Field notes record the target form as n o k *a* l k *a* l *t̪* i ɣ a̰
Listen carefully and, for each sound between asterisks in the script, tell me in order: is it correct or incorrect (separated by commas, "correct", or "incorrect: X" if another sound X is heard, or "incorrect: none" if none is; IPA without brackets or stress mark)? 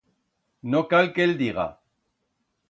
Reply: correct, incorrect: e, incorrect: d̪